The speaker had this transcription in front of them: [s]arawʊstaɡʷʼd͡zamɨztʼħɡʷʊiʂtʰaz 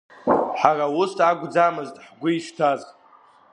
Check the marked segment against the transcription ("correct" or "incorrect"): incorrect